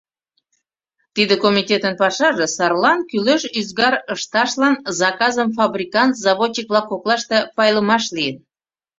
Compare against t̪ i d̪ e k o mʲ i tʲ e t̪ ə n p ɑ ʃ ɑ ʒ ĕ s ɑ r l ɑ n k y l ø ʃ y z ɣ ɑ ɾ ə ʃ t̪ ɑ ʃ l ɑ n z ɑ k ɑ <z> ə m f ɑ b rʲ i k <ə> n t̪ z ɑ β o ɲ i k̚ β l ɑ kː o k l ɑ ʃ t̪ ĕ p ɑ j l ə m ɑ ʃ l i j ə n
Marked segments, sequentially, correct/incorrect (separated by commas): correct, incorrect